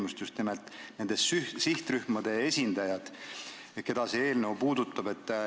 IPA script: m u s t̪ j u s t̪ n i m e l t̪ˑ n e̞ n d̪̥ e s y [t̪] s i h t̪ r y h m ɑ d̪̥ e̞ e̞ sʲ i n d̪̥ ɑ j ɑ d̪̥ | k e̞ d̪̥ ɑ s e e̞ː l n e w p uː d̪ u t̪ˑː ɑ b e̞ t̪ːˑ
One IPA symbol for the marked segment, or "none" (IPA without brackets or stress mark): none